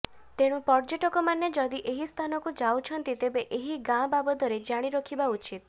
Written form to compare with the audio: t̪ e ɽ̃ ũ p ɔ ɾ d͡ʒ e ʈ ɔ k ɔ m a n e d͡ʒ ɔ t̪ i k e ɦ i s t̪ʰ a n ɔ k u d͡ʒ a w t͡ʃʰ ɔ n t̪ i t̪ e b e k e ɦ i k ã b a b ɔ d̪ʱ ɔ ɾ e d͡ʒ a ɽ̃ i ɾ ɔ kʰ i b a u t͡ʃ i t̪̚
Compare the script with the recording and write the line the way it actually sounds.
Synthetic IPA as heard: t̪ e ɽ̃ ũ p ɔ ɾ d͡ʒ e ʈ ɔ k ɔ m a n e d͡ʒ ɔ d̪ i ʔ e ɦ i s t̪ʰ a n ɔ k u d͡ʒ a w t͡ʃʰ ɔ n t̪ i t̪ e b e ʔ e ɦ i ɡ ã b a b ɔ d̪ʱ ɔ ɾ e d͡ʒ a ɽ̃ i ɾ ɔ kʰ i b a u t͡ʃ i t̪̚